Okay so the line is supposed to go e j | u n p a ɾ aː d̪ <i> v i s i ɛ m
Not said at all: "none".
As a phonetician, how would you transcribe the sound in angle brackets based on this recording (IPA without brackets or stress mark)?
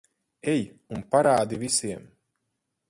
i